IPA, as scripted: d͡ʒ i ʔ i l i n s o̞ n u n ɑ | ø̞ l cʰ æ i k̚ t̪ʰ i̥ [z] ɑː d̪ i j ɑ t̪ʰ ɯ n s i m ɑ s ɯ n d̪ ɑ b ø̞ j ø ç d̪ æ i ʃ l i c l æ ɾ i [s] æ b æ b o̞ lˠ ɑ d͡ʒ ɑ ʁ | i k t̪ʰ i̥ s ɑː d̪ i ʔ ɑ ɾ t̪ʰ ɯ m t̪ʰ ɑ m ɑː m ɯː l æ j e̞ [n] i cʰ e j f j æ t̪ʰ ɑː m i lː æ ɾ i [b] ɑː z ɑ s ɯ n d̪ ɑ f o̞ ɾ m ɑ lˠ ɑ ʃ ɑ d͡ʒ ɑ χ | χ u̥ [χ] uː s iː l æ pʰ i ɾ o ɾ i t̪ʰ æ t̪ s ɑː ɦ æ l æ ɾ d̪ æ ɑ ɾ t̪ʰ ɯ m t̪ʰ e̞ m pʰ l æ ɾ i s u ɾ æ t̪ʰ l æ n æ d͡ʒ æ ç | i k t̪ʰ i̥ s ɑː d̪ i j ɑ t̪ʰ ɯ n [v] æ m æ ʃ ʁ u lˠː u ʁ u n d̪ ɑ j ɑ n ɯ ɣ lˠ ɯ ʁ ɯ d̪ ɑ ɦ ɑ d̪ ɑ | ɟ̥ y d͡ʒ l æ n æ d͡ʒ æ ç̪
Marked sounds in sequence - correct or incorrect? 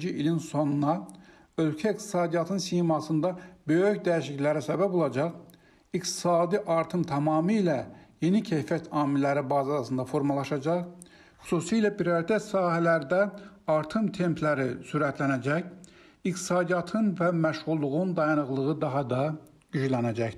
incorrect, correct, correct, correct, incorrect, correct

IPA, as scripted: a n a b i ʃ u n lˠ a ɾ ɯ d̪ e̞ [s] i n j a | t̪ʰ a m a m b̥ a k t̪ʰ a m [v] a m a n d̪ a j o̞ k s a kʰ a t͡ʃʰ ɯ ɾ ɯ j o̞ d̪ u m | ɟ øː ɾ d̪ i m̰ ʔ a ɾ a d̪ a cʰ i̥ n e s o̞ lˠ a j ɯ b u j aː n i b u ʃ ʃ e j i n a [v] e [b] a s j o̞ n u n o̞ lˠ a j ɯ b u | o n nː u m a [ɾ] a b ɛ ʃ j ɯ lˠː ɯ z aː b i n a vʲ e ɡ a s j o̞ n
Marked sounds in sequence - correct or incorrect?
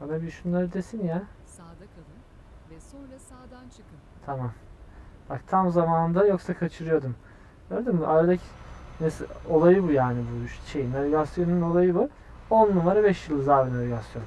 correct, incorrect, correct, incorrect, correct

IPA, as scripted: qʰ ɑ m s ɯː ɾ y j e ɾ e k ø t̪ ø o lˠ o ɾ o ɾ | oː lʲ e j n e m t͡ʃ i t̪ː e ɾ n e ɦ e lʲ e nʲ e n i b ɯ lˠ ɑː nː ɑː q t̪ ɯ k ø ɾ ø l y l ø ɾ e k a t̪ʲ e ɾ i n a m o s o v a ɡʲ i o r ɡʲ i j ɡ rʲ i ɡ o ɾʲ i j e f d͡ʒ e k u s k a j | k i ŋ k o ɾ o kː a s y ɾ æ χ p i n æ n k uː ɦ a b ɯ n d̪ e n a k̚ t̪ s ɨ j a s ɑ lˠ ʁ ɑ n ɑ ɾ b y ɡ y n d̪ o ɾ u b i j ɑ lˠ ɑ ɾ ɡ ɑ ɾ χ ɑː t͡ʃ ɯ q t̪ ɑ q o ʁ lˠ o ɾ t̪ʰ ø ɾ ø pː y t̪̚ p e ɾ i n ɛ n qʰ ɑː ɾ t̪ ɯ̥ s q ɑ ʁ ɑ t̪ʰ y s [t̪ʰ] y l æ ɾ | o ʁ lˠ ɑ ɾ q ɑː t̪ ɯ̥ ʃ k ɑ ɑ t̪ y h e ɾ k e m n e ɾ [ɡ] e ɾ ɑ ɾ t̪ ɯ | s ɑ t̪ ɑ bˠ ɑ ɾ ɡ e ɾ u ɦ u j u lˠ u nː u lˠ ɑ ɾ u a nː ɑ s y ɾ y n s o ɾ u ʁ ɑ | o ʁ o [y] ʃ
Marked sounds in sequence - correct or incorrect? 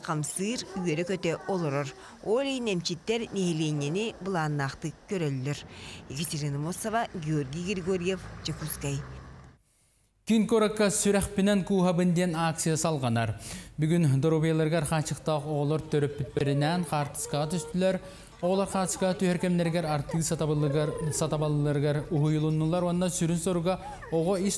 incorrect, correct, incorrect

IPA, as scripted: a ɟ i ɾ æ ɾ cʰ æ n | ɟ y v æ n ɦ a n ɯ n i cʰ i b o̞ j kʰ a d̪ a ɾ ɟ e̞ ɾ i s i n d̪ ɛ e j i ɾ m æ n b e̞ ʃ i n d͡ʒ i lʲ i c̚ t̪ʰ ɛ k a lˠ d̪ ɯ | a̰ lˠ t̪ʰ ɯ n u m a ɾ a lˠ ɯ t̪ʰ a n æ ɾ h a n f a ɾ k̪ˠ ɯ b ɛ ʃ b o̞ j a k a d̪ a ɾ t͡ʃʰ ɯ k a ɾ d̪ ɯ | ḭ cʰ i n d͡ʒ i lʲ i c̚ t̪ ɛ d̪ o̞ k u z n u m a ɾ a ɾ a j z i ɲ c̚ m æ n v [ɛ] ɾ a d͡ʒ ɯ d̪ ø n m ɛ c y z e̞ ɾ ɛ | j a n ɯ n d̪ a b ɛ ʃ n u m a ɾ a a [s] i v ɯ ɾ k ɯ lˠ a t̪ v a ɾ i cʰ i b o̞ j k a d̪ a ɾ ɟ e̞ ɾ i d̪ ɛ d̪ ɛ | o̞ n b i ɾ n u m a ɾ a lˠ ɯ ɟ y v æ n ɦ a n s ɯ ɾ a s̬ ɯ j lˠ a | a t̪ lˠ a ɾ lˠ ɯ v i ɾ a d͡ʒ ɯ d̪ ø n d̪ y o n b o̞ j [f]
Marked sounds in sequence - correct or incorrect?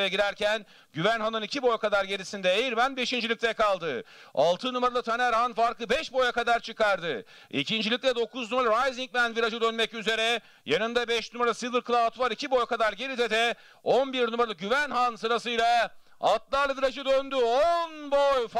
incorrect, correct, correct

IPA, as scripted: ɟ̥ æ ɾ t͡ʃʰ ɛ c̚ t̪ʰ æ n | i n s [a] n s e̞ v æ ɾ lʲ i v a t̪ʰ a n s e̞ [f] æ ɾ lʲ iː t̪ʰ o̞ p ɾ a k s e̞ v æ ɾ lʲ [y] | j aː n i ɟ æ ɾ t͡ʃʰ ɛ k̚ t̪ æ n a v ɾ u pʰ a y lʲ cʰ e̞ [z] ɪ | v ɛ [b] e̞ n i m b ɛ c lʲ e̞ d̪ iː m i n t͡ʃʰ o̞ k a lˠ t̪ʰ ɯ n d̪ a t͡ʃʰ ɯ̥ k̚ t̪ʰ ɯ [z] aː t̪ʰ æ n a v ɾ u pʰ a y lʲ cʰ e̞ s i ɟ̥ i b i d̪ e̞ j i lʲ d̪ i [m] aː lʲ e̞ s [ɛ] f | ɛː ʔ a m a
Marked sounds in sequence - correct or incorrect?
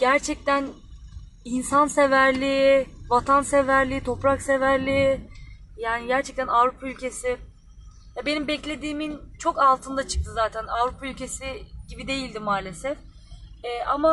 correct, incorrect, incorrect, incorrect, correct, correct, correct, correct

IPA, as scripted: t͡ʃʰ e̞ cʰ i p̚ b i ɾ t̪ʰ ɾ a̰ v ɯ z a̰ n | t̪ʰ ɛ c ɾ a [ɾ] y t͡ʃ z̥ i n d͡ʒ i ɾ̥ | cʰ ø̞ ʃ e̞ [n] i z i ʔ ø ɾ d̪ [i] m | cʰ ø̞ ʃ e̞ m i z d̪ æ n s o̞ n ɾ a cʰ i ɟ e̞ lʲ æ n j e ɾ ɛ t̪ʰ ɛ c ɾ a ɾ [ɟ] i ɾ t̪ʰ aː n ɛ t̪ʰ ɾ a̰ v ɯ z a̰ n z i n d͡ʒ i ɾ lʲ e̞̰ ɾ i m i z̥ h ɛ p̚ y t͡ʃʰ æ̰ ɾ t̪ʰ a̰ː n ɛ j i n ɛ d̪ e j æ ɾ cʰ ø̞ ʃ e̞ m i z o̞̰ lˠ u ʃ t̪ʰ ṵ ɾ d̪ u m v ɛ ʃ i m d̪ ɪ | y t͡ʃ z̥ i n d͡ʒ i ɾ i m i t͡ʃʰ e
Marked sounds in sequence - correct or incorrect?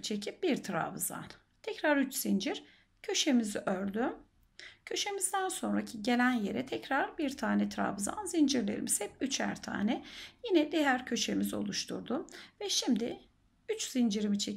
correct, incorrect, incorrect, incorrect

